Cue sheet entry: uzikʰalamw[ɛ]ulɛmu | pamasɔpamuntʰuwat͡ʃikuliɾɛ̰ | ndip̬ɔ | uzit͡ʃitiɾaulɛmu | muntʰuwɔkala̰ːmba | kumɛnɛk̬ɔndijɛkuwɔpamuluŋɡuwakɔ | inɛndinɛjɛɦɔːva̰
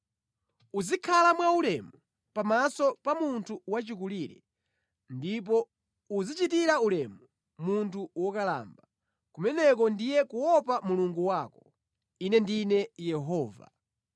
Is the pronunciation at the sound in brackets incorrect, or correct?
incorrect